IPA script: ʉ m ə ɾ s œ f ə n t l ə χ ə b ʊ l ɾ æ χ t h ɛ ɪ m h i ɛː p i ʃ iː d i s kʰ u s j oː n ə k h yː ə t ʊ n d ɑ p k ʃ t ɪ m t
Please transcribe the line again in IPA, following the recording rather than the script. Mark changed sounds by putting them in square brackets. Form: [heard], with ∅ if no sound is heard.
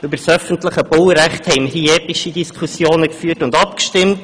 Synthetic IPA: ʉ [b] ə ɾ s œ f ə n t l ə χ ə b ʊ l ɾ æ χ t h ɛ ɪ m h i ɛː p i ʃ [i] d i s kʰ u s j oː n ə k [f] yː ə t ʊ n d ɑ p k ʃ t ɪ m t